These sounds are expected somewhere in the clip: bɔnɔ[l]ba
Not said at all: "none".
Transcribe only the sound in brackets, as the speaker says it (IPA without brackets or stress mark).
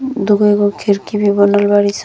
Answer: l